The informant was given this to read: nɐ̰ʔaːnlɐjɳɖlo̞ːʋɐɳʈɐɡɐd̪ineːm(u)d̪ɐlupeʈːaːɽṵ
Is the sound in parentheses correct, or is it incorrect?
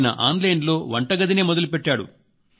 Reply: incorrect